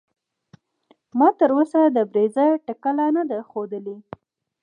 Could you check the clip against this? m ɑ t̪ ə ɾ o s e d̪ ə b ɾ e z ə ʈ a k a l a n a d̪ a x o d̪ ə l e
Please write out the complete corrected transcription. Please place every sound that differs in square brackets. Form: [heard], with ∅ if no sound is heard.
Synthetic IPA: m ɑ t̪ ə ɾ o s [a] d̪ ə b ɾ e z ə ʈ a k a l a n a d̪ a x o d̪ ə l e